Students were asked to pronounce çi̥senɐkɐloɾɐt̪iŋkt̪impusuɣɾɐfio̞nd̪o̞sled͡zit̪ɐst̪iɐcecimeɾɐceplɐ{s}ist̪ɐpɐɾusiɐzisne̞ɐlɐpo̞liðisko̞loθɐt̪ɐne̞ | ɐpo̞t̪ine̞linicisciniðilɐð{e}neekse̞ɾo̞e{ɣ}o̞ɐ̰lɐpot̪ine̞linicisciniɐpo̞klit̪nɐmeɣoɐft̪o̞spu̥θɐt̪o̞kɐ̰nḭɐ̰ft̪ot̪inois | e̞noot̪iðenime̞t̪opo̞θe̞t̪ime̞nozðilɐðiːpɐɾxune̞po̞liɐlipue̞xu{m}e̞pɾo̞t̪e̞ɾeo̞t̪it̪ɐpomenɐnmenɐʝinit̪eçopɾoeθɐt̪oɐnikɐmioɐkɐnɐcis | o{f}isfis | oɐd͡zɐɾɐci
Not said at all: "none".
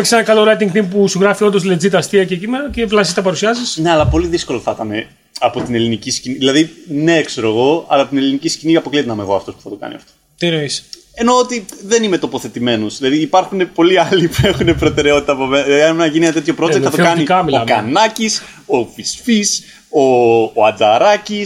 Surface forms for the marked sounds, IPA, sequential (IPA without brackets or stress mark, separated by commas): s, i, ɣ, n, f